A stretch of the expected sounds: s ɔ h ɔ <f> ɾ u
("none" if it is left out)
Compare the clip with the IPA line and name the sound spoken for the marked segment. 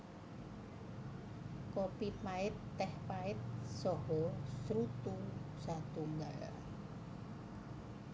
s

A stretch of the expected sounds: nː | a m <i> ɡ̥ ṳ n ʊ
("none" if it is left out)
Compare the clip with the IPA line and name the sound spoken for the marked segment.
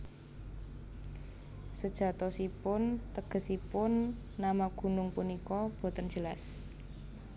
a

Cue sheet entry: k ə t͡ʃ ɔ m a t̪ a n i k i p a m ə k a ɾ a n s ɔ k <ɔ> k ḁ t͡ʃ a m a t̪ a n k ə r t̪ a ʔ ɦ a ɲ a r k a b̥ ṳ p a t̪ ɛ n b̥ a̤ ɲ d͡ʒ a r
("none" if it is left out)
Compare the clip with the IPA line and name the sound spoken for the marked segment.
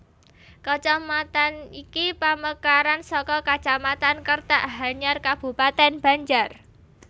ɔ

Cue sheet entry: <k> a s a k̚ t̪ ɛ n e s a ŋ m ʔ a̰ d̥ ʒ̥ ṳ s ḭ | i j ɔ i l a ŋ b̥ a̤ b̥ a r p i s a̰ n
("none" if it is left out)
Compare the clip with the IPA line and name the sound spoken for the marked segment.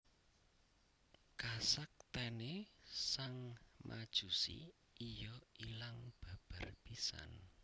k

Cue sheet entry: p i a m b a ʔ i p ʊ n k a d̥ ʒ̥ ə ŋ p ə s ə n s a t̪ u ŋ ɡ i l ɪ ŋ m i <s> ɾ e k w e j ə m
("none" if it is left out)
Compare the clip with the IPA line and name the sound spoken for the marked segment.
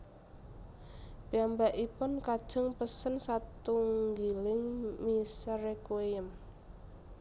s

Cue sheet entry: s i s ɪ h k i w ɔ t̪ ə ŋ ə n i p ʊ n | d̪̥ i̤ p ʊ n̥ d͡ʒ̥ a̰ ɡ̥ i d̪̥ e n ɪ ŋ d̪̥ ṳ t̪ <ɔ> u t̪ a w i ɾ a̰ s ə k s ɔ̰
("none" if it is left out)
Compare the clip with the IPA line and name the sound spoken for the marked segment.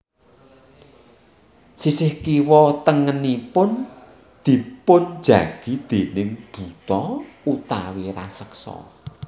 ɔ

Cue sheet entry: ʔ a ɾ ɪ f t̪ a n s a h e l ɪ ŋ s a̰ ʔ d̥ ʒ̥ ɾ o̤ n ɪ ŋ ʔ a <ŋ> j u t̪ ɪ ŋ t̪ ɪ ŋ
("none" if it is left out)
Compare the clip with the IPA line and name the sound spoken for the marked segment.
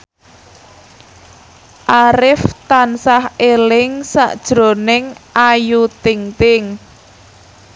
none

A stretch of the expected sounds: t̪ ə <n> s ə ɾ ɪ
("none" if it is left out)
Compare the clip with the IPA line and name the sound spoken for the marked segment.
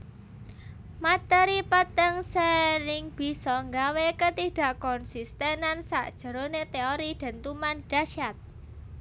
ŋ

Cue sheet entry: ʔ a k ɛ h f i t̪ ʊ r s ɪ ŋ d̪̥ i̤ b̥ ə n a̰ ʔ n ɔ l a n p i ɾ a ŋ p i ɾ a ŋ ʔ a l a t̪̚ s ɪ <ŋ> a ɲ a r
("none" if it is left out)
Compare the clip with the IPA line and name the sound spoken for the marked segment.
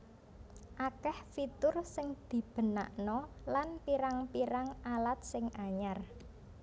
ŋ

